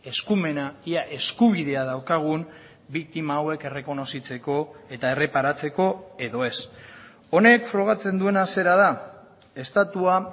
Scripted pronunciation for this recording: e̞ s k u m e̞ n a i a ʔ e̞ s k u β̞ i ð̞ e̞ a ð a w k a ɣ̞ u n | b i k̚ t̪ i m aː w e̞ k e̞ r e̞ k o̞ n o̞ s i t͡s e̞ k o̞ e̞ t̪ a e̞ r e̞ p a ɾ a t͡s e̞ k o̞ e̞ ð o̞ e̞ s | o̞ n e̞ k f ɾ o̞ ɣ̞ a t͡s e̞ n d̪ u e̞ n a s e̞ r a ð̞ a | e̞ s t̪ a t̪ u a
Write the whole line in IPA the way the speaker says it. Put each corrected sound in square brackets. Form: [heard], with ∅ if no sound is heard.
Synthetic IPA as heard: e̞ s k u m e̞ n a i a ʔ e̞ s k u β̞ i ð̞ e̞ a ð a w k a ɣ̞ u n | b i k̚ t̪ i m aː w e̞ k e̞ r e̞ k o̞ n o̞ s i t͡s e̞ k o̞ e̞ t̪ a e̞ r e̞ p a ɾ a t͡s e̞ k o̞ e̞ ð o̞ e̞ s | o̞ n e̞ k f ɾ o̞ ɣ̞ a t͡s e̞ n d̪ u e̞ n a s e̞ [ɾ] a ð̞ a | e̞ s t̪ a t̪ u a

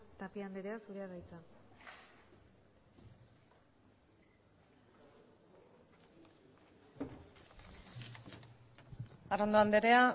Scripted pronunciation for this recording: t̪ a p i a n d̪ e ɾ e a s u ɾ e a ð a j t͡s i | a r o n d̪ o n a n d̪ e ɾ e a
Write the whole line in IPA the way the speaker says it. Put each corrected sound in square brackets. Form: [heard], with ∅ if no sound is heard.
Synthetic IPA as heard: t̪ a p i a n d̪ e ɾ e a s u ɾ e a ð a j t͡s [a] | a r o n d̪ o [∅] a n d̪ e ɾ e a

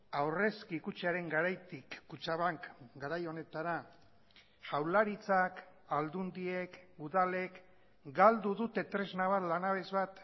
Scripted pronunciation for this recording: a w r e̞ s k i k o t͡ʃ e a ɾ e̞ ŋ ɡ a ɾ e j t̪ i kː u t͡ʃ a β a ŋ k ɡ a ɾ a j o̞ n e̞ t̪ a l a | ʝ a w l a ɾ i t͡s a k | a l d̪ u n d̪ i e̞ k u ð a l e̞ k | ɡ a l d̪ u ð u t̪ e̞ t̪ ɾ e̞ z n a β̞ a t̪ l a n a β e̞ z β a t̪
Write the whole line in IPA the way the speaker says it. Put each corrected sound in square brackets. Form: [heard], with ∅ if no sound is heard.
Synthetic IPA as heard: a w r e̞ s k i k [u] t͡ʃ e a ɾ e̞ ŋ ɡ a ɾ [a] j t̪ i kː u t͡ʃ a β a ŋ k ɡ a ɾ a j o̞ n e̞ t̪ a [ɾ] a | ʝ a w l a ɾ i t͡s a k | a l d̪ u n d̪ i e̞ k u ð a l e̞ k | ɡ a l d̪ u ð u t̪ e̞ t̪ ɾ e̞ z n a β̞ a t̪ l a n a β e̞ z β a t̪

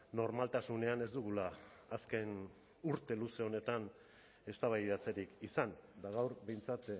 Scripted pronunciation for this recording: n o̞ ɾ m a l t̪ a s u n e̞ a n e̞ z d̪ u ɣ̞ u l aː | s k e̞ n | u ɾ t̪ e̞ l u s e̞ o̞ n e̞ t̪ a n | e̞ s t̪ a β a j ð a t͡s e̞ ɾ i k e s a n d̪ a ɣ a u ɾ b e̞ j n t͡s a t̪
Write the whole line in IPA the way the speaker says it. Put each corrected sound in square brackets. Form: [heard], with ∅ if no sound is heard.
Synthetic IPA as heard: n o̞ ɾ m a l t̪ a s u n e̞ a n e̞ z d̪ u ɣ̞ u l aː | s k e̞ n | u ɾ t̪ e̞ l u s e̞ o̞ n e̞ t̪ a n | e̞ s t̪ a β a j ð a t͡s e̞ ɾ i k [i] s a n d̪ a ɣ a [w] ɾ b e̞ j n t͡s a t̪

